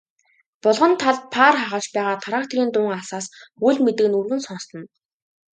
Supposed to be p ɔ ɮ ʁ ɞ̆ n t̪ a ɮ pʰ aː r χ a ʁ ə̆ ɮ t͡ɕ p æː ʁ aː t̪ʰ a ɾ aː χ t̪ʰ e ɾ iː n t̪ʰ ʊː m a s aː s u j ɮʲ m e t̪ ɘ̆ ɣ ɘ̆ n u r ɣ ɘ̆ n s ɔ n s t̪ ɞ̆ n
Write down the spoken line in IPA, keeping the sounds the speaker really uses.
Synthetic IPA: p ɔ ɮ ʁ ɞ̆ n t̪ʰ a ɮ pʰ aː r χ a ʁ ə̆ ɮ t͡ɕ p æː ʁ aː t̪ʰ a ɾ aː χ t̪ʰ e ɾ iː n t̪ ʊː ŋ a s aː s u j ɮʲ m e t̪ ɘ̆ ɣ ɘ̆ n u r ɣ ɘ̆ n s ɔ n s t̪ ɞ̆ n